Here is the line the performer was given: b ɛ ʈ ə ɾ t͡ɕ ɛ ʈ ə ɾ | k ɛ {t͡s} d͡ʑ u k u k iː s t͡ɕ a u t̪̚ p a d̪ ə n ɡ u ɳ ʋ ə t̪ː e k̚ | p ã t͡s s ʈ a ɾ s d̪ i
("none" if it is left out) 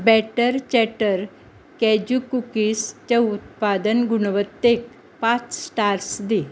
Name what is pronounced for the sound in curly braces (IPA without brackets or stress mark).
none